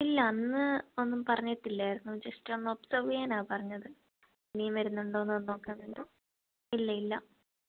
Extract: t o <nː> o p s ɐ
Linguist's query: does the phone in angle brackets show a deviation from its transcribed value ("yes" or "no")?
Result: no